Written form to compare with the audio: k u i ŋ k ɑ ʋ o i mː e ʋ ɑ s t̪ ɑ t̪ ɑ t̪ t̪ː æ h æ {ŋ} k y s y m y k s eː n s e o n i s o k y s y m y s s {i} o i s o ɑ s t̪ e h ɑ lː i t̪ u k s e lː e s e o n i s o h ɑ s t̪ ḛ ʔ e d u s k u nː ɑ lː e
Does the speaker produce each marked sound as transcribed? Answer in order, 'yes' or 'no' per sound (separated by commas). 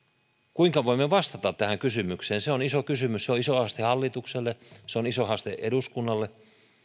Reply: yes, no